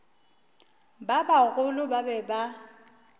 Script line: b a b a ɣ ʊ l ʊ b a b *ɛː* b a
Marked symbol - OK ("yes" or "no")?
no